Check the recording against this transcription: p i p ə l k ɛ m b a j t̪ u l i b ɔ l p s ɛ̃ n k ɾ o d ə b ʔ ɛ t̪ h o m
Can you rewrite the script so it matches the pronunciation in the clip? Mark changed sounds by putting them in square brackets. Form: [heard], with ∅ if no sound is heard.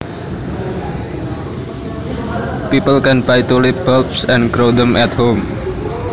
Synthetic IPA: p i p ə l k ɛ [n] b a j t̪ u l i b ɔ l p s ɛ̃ n k ɾ o d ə [m] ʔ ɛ t̪ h o m

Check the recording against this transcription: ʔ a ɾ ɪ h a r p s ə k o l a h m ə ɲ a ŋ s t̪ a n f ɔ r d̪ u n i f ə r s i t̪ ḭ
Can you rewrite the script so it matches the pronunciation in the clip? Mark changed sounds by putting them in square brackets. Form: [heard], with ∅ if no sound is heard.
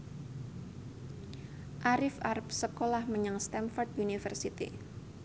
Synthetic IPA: ʔ a ɾ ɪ [f] a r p s ə k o l a h m ə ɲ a ŋ s t̪ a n f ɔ r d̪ u n i f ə r s i t̪ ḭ

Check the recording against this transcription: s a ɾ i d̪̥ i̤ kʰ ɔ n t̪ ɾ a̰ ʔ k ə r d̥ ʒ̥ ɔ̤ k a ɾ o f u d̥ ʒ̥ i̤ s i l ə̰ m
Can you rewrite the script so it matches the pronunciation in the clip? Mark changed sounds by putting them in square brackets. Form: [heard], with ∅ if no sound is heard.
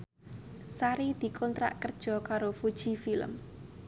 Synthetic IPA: s a ɾ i d̪̥ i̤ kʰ ɔ n t̪ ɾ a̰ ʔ k ə r d̥ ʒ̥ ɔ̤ k a ɾ o f u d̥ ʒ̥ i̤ [f] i l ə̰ m

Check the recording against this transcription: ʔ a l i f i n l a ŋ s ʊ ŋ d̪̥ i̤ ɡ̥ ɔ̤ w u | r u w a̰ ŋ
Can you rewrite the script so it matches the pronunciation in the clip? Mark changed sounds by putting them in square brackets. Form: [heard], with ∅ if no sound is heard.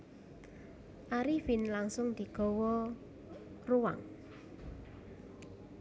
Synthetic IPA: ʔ a [ɾ] i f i n l a ŋ s ʊ ŋ d̪̥ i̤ ɡ̥ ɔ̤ w [ɔ] | r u w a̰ ŋ

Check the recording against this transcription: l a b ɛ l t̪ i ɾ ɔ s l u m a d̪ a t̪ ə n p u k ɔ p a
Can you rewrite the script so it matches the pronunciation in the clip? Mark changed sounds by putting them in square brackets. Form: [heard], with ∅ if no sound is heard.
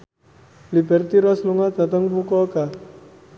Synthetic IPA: l [i] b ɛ [r] t̪ i ɾ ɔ s l u [ŋ] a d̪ a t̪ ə [ŋ] p u k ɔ [k] a

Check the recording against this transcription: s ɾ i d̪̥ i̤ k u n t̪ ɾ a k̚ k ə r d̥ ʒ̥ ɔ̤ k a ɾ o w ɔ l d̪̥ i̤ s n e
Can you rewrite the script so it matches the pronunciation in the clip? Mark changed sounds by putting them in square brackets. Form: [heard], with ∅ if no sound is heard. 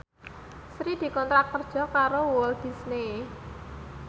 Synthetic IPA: s ɾ i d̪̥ i̤ k [ɔ] n t̪ ɾ a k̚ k ə r d̥ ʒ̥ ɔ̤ k a ɾ o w ɔ l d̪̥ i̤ s n e

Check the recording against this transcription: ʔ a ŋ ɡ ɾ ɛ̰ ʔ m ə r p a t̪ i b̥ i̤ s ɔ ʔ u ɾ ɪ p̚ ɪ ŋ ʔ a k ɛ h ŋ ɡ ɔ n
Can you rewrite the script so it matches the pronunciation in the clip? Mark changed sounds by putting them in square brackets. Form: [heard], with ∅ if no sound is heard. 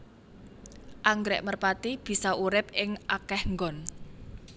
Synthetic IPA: ʔ a ŋ ɡ ɾ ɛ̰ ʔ m ə r p a t̪ i b̥ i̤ s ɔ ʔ u ɾ ɪ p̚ ɪ ŋ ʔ a k ɛ h ŋ ɡ ɔ n

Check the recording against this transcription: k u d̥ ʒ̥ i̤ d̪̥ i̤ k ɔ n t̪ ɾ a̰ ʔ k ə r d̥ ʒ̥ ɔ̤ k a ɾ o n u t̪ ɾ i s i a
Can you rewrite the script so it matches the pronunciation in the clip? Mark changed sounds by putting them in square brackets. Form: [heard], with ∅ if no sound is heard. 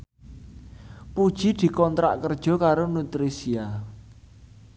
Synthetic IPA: [p] u d̥ ʒ̥ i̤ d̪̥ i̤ k ɔ n t̪ ɾ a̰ ʔ k ə r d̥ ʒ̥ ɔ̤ k a ɾ o n u t̪ ɾ i s i a

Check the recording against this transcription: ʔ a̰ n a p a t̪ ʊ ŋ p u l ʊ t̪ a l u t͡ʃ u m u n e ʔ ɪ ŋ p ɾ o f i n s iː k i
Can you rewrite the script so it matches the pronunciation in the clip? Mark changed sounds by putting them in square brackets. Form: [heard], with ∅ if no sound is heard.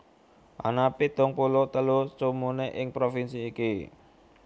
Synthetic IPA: ʔ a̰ n a p [i] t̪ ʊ ŋ p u l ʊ t̪ [ə] l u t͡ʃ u m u n e ʔ ɪ ŋ p ɾ o f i n s iː k i

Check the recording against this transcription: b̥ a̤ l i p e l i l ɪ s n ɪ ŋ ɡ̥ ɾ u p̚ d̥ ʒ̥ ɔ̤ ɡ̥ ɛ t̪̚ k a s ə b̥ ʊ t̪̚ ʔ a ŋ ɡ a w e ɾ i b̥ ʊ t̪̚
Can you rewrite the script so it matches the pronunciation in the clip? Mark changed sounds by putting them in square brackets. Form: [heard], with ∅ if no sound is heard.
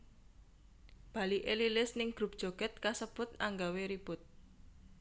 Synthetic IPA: b̥ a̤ l i [ʔ] e l i l ɪ s n ɪ ŋ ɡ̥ ɾ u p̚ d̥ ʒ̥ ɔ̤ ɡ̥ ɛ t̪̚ k a s ə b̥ ʊ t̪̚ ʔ a ŋ ɡ a w e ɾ i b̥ ʊ t̪̚

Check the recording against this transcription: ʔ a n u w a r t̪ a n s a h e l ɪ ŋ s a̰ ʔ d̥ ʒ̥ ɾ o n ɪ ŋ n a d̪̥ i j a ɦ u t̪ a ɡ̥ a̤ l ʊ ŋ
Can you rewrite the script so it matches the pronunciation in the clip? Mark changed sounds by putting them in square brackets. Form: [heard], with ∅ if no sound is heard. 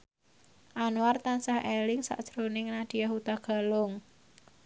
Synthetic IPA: ʔ a n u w a r t̪ a n s a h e l ɪ ŋ s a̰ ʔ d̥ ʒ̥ ɾ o n ɪ ŋ n a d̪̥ i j a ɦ u t̪ a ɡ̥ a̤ l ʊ ŋ

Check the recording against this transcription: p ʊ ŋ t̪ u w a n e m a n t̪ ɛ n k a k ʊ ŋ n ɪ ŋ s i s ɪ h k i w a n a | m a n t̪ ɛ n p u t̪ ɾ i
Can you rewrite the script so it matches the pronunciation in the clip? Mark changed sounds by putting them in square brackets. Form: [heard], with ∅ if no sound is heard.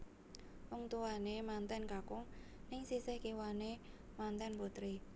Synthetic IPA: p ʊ ŋ t̪ u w a n e m a n t̪ ɛ n k a k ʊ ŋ n ɪ ŋ s i s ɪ h k i w a n [e] | m a n t̪ ɛ n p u t̪ ɾ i

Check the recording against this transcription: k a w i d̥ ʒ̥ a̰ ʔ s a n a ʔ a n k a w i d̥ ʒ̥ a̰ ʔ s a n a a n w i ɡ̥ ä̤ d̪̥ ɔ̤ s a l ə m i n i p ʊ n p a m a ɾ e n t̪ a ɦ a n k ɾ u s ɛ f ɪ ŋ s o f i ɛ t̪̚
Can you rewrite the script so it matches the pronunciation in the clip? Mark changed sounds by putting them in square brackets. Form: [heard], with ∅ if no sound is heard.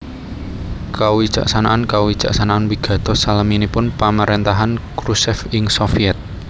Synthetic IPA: k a w i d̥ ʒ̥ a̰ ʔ s a n a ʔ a n k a w i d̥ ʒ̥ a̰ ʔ s a n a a n w i ɡ̥ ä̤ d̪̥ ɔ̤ s a l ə m i n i p ʊ n p a m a ɾ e n t̪ a ɦ a n k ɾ u s ɛ f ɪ ŋ s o f i ɛ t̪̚

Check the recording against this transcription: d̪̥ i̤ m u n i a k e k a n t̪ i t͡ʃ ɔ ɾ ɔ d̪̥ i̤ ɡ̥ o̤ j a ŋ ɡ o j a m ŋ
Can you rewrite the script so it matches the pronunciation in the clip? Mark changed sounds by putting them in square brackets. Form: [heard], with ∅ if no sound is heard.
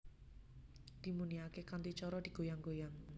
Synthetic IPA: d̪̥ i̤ m u n i a k e k a n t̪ i t͡ʃ ɔ ɾ ɔ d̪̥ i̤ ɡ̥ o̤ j a ŋ ɡ o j a [∅] ŋ

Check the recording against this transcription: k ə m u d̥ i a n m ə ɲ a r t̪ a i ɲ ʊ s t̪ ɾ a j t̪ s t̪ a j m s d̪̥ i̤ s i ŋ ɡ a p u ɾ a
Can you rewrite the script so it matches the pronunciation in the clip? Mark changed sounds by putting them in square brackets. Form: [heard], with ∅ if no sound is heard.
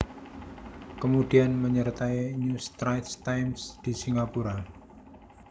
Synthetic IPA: k ə m u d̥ i a n m ə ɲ [ə] r t̪ a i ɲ [u] s t̪ ɾ a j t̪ s t̪ a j m s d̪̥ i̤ s i ŋ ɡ a p u ɾ a

